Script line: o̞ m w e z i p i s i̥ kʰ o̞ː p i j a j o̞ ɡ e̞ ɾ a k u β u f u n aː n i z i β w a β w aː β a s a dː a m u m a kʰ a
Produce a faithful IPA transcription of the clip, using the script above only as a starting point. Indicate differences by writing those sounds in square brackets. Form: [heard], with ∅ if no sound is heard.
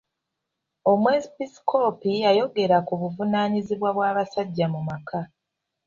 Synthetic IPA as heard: o̞ m w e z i p i s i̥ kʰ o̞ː p i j a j o̞ ɡ e̞ ɾ a k u β u [v] u n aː [ɲ] i z i β w a β w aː β a s a [ɟː] a m u m a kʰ a